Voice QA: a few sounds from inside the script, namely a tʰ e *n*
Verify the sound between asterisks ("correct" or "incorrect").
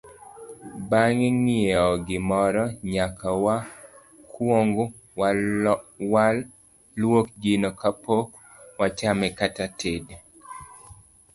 incorrect